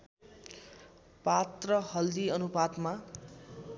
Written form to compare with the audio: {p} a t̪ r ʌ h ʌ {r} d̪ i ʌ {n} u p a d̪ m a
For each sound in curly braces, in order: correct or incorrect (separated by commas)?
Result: correct, incorrect, correct